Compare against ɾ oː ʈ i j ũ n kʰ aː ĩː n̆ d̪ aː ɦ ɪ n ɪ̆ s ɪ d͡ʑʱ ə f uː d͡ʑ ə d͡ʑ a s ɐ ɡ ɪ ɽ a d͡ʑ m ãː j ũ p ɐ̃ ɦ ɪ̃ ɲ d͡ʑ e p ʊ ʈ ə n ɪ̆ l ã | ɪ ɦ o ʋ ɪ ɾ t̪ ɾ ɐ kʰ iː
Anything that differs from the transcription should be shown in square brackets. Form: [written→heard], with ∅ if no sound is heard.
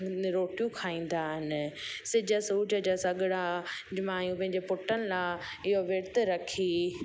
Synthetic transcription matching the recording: ɾ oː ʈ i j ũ [n→∅] kʰ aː ĩː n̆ d̪ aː ɦ ɪ n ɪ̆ s ɪ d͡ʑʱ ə [f→s] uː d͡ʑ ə d͡ʑ a s ɐ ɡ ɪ ɽ a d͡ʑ m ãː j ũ p ɐ̃ ɦ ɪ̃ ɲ d͡ʑ e p ʊ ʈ ə n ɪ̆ l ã | ɪ ɦ o ʋ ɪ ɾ t̪ ɾ ɐ kʰ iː